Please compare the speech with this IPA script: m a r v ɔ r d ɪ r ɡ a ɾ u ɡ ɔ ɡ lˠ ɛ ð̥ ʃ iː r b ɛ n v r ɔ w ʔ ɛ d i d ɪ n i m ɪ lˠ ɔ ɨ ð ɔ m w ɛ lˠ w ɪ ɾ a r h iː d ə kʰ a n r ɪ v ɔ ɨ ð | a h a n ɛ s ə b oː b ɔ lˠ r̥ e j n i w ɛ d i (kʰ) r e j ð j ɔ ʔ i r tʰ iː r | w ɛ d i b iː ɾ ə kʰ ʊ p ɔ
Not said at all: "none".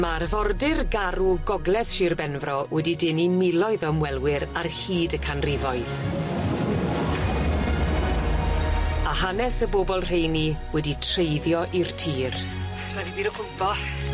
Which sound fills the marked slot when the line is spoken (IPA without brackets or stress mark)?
tʰ